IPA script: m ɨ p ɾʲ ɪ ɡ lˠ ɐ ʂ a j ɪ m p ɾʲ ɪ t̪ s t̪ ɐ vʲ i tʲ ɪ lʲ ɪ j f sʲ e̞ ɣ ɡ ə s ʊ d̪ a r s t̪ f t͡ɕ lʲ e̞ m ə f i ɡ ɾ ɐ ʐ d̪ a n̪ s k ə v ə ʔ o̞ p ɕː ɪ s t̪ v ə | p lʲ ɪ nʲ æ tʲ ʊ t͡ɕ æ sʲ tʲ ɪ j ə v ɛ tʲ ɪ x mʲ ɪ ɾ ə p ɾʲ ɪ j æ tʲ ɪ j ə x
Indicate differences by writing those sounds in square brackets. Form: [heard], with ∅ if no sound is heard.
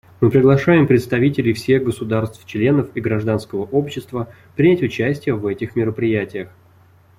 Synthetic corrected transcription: m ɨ p ɾʲ ɪ ɡ lˠ ɐ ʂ a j ɪ m p ɾʲ ɪ t̪ s t̪ ɐ vʲ i tʲ ɪ lʲ ɪ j f sʲ e̞ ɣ ɡ ə s ʊ d̪ a r s t̪ f t͡ɕ lʲ e̞ [n] ə f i ɡ ɾ ɐ ʐ d̪ a n̪ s k ə v ə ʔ o̞ p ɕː ɪ s t̪ v ə | p [ɾʲ] ɪ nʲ æ tʲ ʊ t͡ɕ æ sʲ tʲ ɪ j ə v ɛ tʲ ɪ x mʲ ɪ ɾ ə p ɾʲ ɪ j æ tʲ ɪ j ə x